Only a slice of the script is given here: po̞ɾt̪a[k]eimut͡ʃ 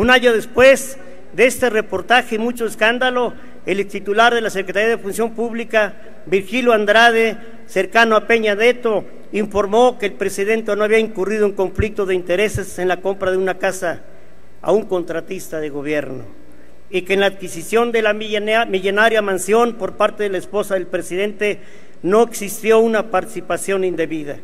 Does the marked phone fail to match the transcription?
yes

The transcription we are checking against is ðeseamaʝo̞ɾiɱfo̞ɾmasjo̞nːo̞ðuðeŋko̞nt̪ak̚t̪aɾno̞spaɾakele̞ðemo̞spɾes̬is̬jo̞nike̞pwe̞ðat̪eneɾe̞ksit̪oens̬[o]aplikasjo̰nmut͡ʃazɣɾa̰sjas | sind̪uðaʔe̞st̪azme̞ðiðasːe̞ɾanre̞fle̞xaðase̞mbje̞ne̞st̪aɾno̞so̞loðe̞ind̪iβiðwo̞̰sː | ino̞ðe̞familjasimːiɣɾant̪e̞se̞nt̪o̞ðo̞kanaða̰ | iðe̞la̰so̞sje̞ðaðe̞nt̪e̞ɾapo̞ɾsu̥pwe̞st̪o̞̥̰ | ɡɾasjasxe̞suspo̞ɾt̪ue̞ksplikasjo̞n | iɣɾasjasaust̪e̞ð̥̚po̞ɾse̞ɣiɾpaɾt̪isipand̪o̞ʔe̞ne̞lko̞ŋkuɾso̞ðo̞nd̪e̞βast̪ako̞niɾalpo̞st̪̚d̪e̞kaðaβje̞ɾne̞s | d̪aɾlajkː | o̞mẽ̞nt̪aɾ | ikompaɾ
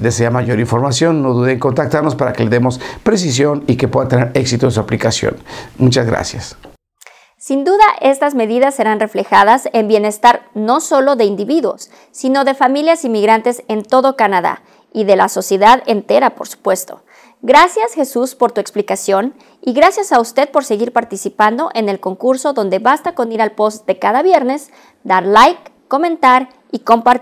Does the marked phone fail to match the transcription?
yes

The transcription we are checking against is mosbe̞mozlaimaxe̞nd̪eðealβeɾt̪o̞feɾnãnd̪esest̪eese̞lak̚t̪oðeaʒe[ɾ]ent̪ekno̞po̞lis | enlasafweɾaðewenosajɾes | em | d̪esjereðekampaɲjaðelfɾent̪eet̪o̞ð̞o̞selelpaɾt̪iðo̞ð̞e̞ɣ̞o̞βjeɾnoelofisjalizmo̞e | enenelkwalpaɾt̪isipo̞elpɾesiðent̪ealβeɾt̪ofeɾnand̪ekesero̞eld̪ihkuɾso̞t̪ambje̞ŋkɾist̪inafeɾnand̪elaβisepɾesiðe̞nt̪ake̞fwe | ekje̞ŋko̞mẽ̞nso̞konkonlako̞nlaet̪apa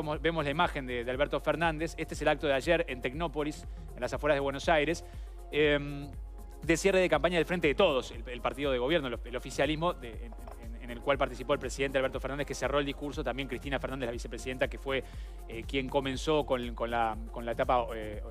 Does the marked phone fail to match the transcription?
no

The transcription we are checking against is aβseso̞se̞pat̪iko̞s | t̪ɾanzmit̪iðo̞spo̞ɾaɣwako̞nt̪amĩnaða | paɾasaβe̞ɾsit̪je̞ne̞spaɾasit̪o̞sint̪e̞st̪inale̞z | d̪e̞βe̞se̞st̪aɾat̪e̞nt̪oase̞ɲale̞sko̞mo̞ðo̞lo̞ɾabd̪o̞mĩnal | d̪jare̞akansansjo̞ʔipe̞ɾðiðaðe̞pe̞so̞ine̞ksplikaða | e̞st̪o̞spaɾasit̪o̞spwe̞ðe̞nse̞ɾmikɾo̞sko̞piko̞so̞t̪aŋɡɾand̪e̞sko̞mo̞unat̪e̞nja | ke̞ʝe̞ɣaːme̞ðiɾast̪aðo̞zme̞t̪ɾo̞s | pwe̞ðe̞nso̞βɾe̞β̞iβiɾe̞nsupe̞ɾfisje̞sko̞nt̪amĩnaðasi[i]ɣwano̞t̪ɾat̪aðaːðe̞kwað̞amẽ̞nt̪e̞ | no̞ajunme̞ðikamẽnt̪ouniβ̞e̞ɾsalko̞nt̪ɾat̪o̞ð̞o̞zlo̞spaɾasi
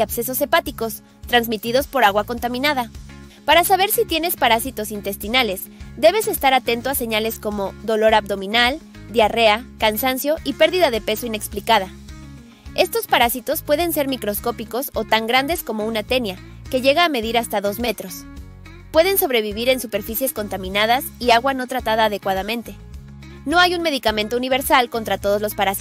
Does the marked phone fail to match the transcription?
yes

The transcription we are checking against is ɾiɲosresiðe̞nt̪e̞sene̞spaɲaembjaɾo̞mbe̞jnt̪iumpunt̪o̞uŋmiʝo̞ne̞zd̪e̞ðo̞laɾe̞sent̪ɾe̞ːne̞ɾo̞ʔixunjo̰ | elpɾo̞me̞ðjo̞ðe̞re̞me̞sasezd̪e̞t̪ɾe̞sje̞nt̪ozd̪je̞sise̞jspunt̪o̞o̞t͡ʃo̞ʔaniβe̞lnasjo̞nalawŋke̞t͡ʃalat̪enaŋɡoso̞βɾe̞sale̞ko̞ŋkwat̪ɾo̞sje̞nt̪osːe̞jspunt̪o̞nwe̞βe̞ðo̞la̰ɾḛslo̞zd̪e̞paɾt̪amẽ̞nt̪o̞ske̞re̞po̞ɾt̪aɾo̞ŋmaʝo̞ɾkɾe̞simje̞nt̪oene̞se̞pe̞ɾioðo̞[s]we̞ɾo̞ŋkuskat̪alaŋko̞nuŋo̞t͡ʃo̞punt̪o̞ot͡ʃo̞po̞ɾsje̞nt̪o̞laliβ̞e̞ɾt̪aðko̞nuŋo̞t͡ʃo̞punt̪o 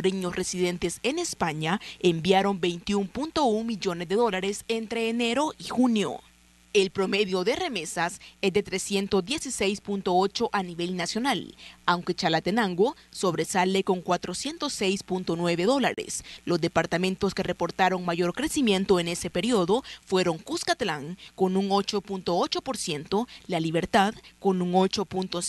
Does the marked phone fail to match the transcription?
yes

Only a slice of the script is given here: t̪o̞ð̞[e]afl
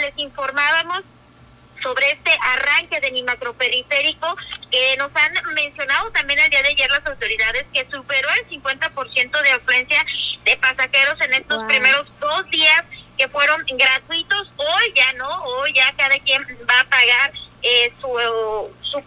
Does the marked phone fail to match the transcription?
no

